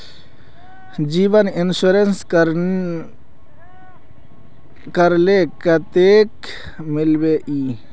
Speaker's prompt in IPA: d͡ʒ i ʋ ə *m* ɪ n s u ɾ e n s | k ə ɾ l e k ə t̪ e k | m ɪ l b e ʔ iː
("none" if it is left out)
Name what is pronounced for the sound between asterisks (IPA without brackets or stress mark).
n